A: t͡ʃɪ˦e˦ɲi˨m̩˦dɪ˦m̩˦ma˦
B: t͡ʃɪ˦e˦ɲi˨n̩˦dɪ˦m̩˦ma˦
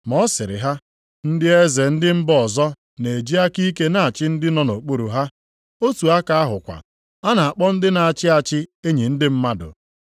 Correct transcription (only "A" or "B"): B